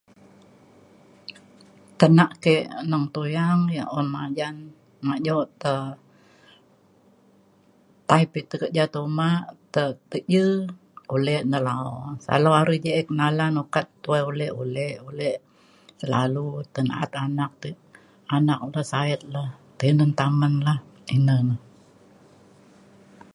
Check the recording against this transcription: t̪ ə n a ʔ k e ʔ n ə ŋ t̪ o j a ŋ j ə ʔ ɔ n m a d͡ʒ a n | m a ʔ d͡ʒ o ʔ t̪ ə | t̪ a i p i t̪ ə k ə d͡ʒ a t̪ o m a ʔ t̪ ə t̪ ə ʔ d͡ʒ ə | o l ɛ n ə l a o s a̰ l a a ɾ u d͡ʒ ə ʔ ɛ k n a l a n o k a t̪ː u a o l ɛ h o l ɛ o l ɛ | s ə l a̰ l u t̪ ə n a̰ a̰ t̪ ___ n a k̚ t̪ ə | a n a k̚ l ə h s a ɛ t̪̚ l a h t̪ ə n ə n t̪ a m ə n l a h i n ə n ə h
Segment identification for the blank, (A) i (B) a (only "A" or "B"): B